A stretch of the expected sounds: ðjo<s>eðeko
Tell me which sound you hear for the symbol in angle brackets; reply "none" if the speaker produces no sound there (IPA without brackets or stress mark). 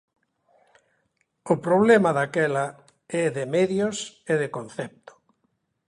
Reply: s